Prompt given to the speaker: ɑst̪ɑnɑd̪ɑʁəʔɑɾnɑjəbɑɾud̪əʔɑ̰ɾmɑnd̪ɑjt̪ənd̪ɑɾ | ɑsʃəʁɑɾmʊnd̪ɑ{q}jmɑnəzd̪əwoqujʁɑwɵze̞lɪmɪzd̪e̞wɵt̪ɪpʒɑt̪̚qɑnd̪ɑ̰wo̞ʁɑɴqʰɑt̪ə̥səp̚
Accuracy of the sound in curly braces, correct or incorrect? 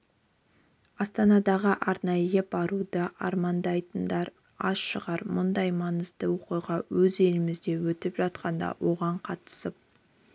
incorrect